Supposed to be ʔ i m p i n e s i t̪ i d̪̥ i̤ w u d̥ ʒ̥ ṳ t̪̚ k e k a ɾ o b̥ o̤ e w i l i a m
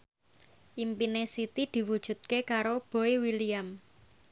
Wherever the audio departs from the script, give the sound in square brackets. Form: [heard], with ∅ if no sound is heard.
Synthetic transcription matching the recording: ʔ i m p i n e s i t̪ i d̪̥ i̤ w u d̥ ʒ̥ ṳ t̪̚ k e k a ɾ o b̥ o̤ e w i l i a m